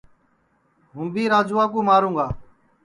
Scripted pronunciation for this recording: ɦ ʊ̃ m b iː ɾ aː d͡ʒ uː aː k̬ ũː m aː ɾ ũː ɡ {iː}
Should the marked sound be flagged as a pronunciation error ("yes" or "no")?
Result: yes